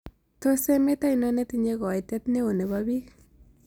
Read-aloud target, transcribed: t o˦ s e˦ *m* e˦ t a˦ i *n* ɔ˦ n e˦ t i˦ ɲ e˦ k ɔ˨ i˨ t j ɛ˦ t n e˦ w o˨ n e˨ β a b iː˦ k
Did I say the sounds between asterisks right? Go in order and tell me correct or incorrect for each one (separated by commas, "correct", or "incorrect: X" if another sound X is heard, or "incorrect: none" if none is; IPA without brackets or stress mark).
correct, correct